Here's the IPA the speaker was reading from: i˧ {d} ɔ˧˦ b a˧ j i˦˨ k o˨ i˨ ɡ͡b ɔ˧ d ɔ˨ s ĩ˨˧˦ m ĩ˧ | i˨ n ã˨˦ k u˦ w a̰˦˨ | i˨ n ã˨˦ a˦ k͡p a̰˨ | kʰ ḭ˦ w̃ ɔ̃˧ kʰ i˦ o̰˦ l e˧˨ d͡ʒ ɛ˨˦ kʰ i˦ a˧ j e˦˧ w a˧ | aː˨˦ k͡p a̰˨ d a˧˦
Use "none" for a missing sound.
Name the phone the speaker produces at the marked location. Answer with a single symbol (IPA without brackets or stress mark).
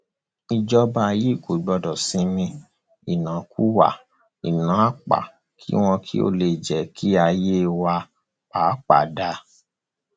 d͡ʒ